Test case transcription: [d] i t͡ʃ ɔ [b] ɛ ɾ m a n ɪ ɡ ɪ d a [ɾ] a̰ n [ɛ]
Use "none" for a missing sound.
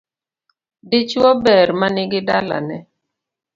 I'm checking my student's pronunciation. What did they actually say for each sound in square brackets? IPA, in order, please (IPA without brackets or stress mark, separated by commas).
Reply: d, b, l, ɛ